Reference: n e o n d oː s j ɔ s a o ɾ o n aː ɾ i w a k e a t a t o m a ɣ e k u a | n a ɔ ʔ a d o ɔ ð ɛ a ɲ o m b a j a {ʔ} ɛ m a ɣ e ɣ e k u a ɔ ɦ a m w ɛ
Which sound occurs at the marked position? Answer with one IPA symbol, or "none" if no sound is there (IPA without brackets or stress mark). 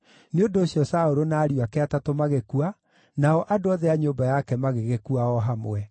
k